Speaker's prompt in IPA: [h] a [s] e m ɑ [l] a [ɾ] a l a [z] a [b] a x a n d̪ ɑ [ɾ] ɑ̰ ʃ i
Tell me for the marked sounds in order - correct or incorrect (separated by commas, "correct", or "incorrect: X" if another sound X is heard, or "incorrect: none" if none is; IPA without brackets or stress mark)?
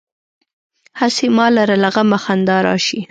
correct, correct, correct, correct, incorrect: ɣ, incorrect: m, correct